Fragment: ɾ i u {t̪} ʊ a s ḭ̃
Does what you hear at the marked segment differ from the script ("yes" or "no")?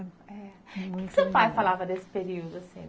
yes